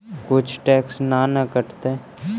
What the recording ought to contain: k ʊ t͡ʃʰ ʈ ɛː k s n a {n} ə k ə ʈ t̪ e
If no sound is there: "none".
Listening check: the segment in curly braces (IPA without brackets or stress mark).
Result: n